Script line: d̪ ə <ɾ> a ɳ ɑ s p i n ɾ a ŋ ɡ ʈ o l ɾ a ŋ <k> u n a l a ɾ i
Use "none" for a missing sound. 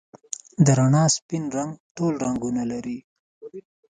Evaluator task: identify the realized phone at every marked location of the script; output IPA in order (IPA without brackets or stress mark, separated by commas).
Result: ɾ, ɡ